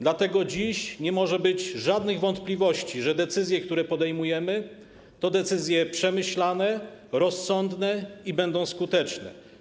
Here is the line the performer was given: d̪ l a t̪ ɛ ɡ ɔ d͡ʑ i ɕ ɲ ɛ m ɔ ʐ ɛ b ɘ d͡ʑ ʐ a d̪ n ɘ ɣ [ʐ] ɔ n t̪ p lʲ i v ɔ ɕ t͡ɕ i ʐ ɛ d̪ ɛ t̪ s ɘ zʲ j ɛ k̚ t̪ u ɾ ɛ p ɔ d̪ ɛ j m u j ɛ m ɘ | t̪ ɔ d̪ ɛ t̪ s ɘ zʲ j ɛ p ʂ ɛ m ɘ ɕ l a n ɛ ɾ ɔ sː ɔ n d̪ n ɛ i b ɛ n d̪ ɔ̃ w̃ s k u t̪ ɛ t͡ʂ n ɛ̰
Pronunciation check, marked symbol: incorrect: v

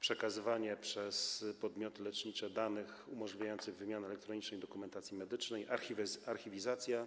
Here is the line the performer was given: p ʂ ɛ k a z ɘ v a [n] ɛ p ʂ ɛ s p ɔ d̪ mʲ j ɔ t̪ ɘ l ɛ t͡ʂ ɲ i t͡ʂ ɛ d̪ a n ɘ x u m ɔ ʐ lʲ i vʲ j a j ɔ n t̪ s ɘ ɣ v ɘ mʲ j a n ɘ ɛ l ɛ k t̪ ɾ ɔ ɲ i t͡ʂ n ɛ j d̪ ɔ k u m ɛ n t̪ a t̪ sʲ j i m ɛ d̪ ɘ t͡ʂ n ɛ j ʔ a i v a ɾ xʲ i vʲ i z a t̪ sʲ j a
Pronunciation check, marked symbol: incorrect: ɲ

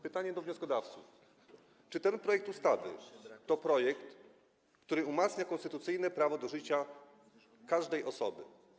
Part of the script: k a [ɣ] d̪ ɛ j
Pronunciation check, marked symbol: incorrect: ʐ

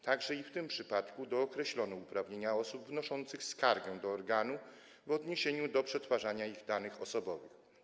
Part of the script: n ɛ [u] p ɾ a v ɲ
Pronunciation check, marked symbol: correct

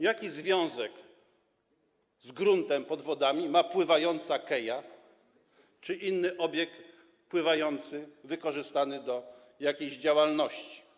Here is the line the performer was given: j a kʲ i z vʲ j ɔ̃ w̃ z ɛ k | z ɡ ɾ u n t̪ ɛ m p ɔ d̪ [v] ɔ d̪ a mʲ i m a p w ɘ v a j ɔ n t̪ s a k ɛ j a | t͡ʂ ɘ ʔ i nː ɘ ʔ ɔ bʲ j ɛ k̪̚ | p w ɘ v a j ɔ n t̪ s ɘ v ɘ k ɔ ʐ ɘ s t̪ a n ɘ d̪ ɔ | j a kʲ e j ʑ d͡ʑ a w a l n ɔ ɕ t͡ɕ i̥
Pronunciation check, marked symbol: correct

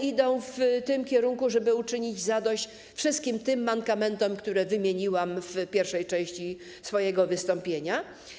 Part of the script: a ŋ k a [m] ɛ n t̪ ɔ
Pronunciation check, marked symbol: correct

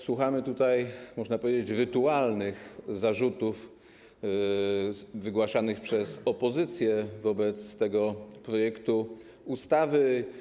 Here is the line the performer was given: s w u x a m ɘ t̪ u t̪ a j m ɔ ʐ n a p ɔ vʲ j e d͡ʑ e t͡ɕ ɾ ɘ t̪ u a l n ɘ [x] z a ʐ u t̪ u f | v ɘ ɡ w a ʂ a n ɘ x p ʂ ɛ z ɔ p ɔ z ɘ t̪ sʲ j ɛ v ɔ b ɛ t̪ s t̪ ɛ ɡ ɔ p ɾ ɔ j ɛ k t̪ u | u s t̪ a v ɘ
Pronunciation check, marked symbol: correct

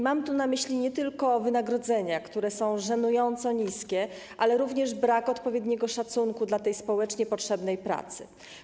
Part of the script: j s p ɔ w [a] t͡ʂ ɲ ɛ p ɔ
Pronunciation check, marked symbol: incorrect: ɛ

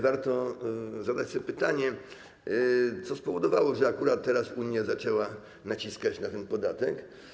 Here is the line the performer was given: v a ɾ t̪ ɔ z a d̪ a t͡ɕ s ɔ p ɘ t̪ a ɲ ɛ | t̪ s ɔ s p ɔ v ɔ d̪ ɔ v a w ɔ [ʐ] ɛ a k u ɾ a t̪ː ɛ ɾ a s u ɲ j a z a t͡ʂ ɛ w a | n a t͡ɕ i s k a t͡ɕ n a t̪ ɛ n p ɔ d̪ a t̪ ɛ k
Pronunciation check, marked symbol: correct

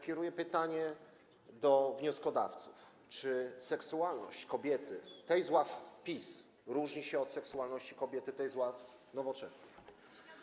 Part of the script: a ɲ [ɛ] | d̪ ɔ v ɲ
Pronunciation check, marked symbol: correct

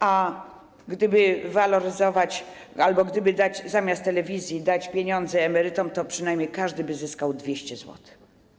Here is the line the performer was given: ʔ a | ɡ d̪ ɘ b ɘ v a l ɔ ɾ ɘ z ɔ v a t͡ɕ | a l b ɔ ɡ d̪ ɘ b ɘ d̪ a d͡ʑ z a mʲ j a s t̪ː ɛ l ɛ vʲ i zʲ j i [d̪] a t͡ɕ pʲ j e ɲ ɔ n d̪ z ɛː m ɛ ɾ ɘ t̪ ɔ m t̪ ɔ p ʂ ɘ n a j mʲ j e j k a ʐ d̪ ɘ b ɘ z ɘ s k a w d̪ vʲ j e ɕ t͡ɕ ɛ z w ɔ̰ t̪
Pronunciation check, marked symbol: correct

